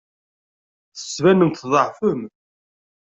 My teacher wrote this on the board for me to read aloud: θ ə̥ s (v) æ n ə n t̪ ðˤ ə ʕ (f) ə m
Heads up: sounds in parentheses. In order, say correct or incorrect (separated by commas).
correct, correct